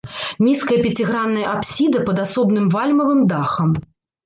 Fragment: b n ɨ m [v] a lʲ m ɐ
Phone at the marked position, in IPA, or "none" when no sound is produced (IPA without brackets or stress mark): v